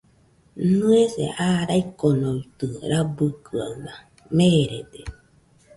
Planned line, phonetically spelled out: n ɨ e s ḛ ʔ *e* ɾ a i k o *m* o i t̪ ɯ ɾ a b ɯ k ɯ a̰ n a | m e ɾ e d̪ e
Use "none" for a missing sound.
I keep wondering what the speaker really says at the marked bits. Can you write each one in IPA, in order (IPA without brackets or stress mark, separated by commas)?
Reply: a, n